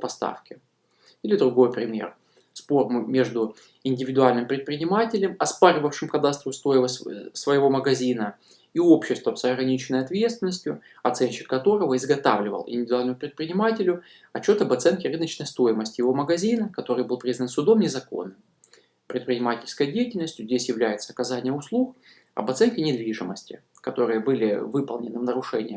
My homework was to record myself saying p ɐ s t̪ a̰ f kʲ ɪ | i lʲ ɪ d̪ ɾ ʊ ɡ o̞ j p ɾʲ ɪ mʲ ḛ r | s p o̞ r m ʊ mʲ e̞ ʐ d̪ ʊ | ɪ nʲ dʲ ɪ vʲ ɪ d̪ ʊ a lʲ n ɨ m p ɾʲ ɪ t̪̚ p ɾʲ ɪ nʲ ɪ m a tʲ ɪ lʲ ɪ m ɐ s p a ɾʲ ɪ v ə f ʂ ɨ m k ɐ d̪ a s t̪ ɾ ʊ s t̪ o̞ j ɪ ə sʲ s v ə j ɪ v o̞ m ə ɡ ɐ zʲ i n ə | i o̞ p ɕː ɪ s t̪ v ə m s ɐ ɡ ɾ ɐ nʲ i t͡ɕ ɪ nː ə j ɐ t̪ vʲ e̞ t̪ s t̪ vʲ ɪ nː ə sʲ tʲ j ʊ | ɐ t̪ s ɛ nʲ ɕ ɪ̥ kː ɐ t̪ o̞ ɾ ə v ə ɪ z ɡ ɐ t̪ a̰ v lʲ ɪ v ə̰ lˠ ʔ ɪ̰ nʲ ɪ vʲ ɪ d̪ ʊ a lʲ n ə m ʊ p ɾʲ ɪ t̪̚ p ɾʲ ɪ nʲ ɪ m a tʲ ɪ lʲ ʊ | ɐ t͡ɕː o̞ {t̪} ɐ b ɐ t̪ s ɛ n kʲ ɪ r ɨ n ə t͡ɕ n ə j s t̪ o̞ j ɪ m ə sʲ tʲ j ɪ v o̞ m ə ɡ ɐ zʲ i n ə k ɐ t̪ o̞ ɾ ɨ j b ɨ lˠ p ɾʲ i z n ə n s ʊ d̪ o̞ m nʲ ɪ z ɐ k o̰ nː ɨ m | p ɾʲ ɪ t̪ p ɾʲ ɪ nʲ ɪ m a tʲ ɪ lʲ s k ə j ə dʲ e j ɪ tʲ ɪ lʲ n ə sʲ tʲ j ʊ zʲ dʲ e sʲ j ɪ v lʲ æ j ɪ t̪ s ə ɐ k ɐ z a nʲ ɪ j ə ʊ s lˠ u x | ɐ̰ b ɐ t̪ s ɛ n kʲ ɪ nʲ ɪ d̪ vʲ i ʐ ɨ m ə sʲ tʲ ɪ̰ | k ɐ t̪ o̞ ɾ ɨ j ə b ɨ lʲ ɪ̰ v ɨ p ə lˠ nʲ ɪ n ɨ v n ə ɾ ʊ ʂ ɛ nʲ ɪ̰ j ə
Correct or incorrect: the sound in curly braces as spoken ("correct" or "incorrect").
correct